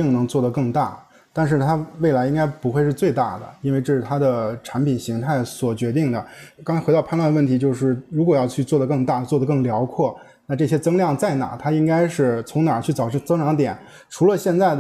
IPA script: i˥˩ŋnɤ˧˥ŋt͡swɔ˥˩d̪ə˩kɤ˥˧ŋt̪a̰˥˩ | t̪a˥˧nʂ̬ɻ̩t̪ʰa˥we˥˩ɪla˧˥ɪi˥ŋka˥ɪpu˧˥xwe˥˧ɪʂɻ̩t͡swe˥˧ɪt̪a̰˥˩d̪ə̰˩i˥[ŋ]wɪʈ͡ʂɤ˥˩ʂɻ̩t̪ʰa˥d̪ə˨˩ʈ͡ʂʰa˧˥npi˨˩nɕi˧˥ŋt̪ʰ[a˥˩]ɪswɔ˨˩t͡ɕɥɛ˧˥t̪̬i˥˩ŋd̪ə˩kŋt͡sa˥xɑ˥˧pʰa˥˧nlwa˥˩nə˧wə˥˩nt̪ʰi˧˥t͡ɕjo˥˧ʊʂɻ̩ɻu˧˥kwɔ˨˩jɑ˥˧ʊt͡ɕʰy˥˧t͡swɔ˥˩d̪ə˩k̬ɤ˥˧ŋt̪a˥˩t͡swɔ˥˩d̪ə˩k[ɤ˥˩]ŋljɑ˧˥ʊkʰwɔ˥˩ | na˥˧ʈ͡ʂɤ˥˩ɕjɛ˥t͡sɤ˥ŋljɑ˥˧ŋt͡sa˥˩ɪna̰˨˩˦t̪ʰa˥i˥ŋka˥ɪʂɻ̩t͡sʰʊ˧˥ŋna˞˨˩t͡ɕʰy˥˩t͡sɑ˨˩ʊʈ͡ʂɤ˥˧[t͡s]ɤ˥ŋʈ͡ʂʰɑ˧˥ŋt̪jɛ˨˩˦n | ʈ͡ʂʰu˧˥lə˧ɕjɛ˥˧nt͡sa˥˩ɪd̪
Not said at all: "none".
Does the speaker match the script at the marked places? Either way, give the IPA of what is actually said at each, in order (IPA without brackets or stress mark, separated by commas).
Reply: n, a˥˩, ɤ˥˩, t͡s